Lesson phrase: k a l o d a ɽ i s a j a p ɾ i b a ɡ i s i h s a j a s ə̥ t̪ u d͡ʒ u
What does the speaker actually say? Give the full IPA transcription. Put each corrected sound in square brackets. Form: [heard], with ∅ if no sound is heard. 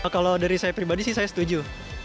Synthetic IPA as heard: k a l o d a [ɾ] i s a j a p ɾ i b a [d] i s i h s a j a s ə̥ t̪ u d͡ʒ u